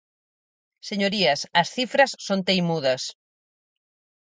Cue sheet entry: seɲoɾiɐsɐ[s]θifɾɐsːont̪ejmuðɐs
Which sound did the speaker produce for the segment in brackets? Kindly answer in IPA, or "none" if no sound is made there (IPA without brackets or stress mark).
s